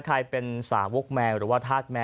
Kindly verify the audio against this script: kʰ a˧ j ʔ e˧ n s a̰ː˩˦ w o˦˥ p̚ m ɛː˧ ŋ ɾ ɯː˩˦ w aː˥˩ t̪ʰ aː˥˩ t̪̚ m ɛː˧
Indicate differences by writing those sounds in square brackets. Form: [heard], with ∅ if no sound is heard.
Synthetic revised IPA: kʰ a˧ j [p] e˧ n s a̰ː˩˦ w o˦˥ [k̚] m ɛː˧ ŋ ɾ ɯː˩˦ w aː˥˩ t̪ʰ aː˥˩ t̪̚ m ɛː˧